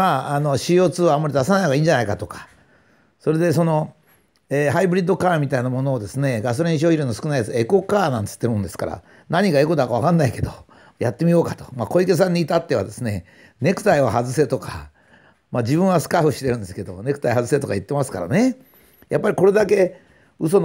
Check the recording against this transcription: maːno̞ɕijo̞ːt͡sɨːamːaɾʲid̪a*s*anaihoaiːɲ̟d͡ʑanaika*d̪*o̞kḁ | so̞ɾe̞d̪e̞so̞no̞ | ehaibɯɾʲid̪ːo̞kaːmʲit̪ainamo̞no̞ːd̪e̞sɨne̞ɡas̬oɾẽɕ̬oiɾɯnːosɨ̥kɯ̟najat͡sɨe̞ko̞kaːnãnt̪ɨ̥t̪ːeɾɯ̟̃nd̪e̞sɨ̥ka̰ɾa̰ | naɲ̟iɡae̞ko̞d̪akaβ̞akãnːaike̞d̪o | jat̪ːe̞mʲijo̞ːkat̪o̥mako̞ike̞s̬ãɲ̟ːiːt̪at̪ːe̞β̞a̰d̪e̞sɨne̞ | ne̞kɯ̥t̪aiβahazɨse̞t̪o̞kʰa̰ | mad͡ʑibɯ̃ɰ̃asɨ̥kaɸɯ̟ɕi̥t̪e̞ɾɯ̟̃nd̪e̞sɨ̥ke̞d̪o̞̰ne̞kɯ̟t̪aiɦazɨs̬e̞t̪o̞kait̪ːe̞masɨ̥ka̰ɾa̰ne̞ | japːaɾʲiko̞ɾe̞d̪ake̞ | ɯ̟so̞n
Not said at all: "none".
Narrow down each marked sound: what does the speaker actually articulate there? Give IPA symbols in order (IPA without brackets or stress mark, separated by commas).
s, t̪